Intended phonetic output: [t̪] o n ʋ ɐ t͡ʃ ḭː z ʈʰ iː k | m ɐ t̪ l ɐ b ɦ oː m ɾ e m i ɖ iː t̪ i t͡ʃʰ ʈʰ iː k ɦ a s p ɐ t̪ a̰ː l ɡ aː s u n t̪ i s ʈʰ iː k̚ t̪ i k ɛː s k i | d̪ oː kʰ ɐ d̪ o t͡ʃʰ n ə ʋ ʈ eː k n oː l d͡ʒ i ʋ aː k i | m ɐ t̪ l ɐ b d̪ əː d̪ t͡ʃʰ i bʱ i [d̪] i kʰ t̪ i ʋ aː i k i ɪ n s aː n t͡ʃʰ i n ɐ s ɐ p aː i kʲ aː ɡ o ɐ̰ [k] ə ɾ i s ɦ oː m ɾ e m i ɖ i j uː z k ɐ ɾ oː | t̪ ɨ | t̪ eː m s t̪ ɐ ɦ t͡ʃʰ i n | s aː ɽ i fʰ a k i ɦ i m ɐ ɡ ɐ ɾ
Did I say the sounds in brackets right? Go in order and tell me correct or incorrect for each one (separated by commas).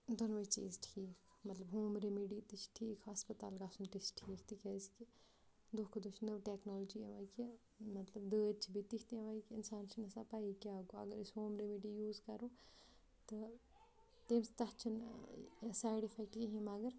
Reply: incorrect, incorrect, incorrect